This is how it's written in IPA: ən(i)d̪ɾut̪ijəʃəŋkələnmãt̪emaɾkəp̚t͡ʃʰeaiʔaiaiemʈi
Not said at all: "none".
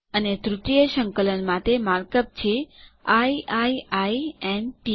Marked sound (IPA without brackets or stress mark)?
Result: e